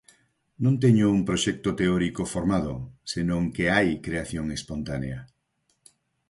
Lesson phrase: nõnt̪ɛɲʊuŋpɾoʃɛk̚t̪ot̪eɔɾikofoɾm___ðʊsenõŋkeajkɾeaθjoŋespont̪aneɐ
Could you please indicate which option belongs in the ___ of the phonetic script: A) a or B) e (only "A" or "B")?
A